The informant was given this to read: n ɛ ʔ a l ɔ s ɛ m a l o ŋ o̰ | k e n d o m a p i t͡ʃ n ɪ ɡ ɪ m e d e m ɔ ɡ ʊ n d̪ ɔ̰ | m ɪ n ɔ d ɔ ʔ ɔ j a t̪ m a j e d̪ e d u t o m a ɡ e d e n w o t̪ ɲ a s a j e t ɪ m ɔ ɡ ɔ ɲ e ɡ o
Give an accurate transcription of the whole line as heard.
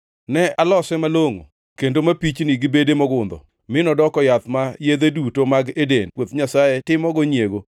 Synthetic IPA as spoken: n ɛ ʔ a l ɔ s ɛ m a l o ŋ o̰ | k e n d o m a p i t͡ʃ n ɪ ɡ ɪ b e d e m ɔ ɡ ʊ n d̪ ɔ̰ | m ɪ n ɔ d ɔ k ɔ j a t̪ m a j e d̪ e d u t o m a ɡ e d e n w o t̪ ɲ a s a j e t ɪ m ɔ ɡ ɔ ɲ e ɡ o